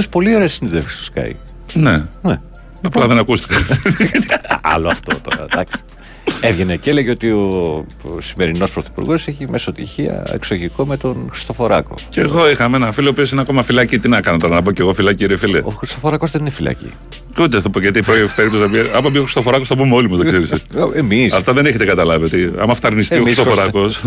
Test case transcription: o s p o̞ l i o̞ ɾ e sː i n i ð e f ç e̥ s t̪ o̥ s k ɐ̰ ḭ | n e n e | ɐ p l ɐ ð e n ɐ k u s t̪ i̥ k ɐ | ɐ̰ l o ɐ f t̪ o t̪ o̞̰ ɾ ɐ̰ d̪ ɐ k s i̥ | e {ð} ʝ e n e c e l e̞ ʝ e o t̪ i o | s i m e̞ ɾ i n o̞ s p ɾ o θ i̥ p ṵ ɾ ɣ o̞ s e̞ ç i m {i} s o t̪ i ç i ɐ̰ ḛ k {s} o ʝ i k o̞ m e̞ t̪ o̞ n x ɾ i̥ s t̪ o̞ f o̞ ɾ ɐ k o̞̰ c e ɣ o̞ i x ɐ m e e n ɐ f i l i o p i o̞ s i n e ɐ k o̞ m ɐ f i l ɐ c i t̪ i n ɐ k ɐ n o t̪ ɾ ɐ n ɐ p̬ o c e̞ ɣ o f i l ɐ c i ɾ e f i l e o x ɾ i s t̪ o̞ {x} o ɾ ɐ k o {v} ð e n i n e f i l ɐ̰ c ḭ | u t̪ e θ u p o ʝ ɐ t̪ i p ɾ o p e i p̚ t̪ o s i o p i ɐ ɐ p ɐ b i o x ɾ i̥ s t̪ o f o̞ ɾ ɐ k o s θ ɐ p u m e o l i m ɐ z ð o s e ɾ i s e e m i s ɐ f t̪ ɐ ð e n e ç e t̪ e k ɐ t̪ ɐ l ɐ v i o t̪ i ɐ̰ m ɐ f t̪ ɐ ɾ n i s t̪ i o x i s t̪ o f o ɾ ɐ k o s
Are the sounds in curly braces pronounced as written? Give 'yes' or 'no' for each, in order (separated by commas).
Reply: no, no, yes, no, no